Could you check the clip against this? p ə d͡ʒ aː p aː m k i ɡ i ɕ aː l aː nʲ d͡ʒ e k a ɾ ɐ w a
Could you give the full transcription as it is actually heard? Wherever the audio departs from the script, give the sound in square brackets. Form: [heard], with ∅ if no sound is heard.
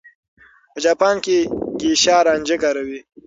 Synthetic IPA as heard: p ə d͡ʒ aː p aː [n] k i ɡ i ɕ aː [ɾ] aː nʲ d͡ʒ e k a ɾ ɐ w [i]